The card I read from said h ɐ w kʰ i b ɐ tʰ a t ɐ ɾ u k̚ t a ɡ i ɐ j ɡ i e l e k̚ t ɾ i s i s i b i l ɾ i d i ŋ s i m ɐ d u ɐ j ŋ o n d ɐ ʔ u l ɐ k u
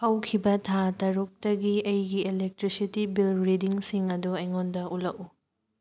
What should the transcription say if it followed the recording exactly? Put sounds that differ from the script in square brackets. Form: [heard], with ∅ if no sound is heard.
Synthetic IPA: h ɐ w kʰ i b ɐ tʰ a t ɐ ɾ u k̚ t [ɐ] ɡ i ɐ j ɡ i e l e k̚ t ɾ i s i [t] i b i l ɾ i d i ŋ s i [ŋ] ɐ d u ɐ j ŋ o n d ɐ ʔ u l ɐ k u